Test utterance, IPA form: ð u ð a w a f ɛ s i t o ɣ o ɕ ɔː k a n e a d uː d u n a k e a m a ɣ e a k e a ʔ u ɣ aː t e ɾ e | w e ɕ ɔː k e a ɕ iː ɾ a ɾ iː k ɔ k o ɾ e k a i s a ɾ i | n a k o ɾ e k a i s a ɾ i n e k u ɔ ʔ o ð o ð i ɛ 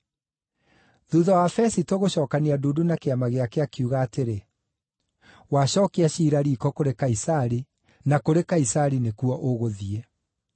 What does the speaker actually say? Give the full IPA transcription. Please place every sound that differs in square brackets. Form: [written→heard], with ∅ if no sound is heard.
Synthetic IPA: ð u ð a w a f ɛ s i t o ɣ o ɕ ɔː k a n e a d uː d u n a k e a m a ɣ e a k e a [ʔ→k] u ɣ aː t e ɾ e | w [e→a] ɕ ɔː k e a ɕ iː ɾ a ɾ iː k ɔ k o ɾ e k a i s a ɾ i | n a k o ɾ e k a i s a ɾ i n e k u ɔ ʔ o [ð→ɣ] o ð i ɛ